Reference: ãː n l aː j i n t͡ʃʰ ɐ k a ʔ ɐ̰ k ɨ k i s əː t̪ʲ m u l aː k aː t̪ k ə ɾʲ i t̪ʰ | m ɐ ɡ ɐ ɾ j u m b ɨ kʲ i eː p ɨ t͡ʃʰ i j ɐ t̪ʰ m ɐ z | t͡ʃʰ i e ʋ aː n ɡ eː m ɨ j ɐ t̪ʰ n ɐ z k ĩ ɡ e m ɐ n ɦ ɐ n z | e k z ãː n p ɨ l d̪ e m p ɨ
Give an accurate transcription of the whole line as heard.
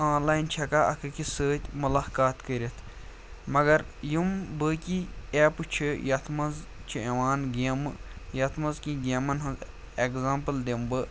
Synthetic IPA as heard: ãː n l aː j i n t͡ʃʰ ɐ k a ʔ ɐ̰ k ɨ k i s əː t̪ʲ m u l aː k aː t̪ k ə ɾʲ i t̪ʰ | m ɐ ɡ ɐ ɾ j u m b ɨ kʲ i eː p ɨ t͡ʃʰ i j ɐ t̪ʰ m ɐ z | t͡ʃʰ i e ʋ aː n ɡ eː m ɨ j ɐ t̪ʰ m ɐ z k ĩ ɡ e m ɐ n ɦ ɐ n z | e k z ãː m p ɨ l d̪ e m b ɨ